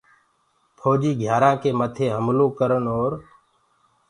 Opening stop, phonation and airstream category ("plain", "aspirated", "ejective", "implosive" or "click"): aspirated